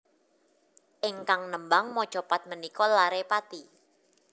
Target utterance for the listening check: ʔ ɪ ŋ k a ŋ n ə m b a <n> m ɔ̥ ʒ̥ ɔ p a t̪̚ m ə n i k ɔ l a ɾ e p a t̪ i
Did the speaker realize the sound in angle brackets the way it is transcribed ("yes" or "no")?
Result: no